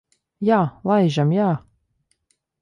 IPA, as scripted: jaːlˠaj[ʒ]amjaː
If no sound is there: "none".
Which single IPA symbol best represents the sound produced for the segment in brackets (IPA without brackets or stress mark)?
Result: ʒ